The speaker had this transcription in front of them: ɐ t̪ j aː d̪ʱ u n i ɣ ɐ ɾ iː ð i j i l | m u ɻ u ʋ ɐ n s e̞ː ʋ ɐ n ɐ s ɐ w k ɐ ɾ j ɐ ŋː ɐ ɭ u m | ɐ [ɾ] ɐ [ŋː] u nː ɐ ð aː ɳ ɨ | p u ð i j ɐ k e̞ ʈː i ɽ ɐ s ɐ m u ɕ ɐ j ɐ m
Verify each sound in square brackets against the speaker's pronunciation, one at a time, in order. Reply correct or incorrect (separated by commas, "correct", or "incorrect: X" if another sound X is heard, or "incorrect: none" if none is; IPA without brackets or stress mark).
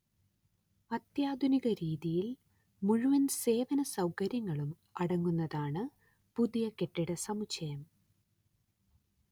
incorrect: ɽ, correct